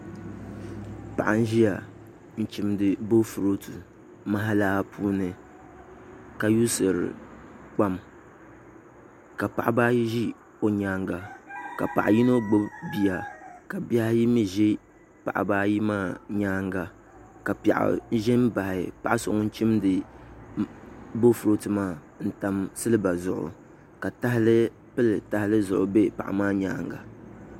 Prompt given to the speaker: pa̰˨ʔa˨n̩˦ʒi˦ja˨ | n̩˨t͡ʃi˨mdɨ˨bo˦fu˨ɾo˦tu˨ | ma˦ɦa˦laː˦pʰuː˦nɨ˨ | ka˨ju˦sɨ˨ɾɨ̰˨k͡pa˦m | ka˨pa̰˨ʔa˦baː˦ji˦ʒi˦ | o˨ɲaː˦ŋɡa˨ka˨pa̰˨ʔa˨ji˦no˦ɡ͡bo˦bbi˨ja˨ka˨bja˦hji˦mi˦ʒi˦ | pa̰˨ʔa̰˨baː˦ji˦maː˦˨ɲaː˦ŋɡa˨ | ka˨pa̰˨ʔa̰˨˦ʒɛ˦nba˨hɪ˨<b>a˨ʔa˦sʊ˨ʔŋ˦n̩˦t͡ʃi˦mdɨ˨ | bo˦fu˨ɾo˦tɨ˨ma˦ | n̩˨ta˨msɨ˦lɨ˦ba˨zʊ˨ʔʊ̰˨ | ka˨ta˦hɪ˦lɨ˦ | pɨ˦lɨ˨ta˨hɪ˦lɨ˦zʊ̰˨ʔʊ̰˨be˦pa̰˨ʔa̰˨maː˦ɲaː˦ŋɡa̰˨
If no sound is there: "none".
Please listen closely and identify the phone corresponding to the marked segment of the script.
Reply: p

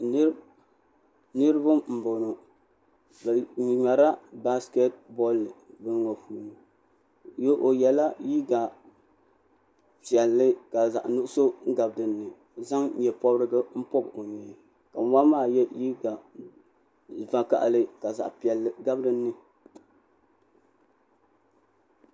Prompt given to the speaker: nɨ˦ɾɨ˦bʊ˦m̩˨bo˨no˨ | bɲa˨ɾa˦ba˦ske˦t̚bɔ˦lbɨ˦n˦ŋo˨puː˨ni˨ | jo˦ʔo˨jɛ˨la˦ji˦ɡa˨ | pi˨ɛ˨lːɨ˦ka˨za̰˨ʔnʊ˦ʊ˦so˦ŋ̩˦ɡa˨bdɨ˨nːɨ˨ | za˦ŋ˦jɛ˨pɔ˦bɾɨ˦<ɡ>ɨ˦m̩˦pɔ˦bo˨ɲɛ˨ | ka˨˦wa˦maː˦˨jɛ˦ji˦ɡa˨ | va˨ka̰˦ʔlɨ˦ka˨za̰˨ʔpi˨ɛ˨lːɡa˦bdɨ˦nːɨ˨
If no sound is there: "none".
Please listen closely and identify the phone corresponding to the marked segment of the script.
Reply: ɡ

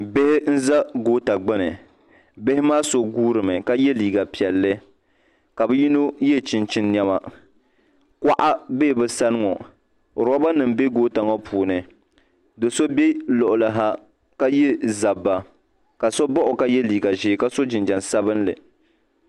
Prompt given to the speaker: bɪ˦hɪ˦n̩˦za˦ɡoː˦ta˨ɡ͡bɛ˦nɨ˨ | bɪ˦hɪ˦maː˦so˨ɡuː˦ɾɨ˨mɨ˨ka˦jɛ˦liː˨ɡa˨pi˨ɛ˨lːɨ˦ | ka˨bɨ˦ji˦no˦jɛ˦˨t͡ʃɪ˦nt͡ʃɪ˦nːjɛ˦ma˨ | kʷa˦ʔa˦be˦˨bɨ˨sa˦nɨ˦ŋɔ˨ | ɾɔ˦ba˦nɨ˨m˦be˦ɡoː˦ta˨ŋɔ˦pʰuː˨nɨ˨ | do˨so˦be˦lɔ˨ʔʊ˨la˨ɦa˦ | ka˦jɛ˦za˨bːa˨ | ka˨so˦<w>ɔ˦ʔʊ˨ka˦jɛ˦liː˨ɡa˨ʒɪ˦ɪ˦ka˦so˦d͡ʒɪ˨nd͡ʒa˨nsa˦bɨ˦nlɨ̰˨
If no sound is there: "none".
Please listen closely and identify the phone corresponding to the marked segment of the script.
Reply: b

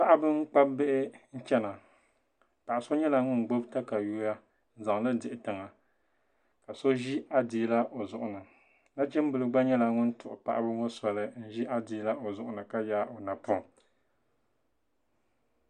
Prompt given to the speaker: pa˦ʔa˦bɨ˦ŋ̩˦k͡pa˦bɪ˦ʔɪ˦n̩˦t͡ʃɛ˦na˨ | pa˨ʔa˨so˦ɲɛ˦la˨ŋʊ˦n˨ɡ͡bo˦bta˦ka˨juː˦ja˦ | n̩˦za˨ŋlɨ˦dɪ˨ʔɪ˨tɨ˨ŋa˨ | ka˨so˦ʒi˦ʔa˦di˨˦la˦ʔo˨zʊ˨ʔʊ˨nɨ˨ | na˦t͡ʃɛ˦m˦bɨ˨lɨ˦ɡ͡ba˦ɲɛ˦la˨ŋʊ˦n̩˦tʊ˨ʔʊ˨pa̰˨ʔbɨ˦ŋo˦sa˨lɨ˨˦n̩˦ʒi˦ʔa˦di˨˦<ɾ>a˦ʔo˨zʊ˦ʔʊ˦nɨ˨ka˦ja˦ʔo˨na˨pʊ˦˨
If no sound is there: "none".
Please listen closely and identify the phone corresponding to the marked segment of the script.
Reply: l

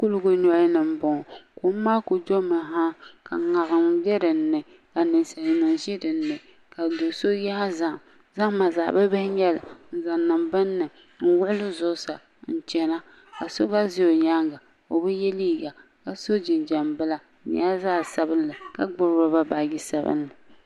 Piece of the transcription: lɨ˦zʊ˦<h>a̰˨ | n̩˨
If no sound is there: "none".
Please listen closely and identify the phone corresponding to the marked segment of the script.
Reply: s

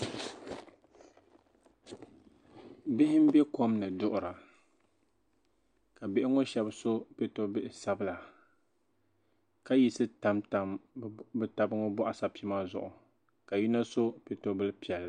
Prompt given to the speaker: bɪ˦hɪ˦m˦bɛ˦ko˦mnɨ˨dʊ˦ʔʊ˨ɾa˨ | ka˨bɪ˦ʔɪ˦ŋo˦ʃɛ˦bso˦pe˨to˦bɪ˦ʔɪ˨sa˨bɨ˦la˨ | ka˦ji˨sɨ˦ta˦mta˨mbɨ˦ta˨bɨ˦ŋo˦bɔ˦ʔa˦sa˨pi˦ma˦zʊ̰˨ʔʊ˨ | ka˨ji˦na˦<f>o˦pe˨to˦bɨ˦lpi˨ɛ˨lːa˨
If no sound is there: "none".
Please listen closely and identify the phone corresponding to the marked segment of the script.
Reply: s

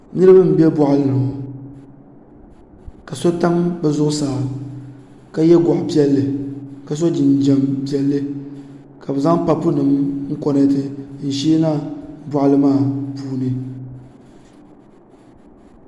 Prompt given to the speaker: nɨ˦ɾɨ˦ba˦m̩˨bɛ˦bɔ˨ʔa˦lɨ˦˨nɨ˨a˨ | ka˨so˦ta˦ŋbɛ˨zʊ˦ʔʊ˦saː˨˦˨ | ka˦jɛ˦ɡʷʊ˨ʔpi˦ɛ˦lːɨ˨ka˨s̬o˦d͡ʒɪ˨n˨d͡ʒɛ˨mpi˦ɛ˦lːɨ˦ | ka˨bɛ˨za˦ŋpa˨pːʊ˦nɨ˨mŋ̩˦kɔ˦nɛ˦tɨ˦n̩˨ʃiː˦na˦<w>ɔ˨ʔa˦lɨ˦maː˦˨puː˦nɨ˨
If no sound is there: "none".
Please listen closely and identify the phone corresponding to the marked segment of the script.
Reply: b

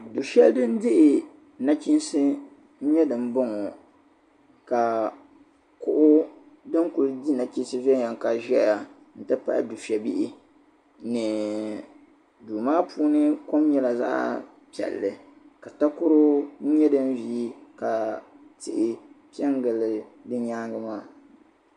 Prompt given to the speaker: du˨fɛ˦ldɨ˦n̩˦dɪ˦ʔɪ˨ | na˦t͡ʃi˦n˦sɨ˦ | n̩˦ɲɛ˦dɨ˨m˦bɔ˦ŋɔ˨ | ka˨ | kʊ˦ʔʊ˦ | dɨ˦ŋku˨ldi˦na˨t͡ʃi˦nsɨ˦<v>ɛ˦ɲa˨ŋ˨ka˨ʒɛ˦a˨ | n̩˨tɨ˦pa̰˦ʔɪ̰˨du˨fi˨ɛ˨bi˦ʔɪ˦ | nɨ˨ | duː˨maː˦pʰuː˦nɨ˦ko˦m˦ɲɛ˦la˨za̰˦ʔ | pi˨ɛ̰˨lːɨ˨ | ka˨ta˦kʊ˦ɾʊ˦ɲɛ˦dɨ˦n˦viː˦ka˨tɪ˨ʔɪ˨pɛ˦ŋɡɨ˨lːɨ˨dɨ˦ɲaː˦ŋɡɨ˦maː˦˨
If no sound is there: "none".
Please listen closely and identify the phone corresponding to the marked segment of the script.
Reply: v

